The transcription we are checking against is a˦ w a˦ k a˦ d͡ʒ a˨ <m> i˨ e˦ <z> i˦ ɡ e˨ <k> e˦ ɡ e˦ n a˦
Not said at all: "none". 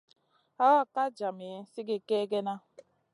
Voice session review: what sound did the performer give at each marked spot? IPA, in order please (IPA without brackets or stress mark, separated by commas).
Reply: m, s, k